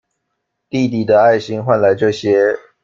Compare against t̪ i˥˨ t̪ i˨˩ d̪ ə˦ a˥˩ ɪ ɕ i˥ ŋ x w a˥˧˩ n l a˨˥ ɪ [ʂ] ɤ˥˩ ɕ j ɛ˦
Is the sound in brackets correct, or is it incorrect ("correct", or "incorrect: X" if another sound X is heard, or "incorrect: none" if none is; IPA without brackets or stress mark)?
incorrect: ʈ͡ʂ